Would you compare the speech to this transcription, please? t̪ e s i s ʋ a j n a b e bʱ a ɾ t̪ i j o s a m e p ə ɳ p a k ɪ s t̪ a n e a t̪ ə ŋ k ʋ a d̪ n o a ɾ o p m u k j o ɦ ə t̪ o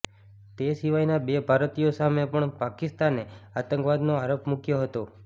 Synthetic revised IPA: t̪ e s i ʋ a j n a b e bʱ a ɾ t̪ i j o s a m e p ə ɳ p a k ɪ s t̪ a n e a t̪ ə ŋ k ʋ a d̪ n o a ɾ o p m u k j o ɦ ə t̪ o